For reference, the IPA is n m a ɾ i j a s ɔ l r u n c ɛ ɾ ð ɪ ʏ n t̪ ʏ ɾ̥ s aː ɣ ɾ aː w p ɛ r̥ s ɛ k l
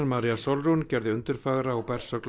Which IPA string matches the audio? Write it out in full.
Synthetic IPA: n m a ɾ i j a s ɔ l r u n c ɛ ɾ ð ɪ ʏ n t̪ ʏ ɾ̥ f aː ɣ ɾ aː w p ɛ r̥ s œ k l

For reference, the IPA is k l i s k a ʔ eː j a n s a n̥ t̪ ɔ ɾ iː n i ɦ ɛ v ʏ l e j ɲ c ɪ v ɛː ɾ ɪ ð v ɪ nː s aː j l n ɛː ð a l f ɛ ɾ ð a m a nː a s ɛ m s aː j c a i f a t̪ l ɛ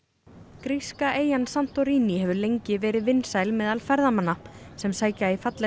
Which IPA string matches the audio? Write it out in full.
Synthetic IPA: k ɾ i s k a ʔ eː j a n s a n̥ t̪ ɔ ɾ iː n i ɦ ɛ v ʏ l e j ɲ c ɪ v ɛː ɾ ɪ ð v ɪ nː s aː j l m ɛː ð a l f ɛ ɾ ð a m a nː a s ɛ m s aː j c a i f a t̪ l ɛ

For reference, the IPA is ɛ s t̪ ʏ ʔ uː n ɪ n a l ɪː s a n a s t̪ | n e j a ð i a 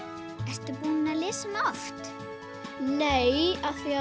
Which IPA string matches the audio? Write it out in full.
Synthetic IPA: ɛ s t̪ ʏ p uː n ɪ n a l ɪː s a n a f t̪ | n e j a θ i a

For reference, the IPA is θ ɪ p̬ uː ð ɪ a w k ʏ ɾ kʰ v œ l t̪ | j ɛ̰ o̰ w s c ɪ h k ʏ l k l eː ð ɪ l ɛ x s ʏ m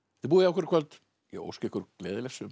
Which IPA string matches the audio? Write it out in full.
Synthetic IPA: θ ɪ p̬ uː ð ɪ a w k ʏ ɾ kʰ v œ l t̪ | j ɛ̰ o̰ w s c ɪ h k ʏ ɾ k l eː ð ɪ l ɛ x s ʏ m

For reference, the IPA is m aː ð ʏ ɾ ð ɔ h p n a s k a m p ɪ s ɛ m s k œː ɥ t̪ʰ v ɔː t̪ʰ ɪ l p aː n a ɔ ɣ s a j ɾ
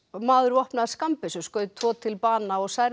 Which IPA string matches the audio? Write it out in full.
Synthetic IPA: m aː ð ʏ ɾ v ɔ h p n a s k a m p ɪ s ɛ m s k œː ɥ t̪ʰ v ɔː t̪ʰ ɪ l p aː n a ɔ ɣ s a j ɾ

